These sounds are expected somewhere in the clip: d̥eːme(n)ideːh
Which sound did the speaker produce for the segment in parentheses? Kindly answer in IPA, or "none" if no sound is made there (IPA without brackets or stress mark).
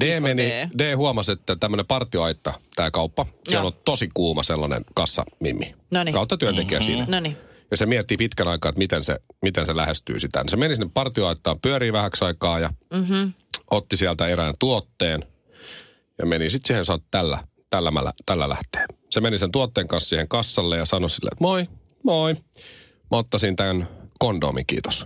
n